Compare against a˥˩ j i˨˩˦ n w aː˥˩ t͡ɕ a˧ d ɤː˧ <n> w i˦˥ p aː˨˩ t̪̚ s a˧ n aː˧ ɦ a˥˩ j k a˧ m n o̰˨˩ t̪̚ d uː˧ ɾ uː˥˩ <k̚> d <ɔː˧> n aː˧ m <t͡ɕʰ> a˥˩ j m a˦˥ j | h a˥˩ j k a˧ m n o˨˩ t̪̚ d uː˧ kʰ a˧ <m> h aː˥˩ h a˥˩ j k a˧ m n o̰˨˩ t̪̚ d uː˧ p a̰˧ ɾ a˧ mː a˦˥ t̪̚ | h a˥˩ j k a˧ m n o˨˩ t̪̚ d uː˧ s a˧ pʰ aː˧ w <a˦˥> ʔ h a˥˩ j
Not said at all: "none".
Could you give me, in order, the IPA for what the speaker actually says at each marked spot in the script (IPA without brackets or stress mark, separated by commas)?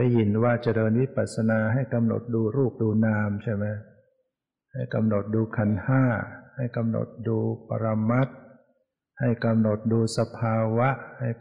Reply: n, p̚, uː˧, t͡ɕʰ, n, a˦˥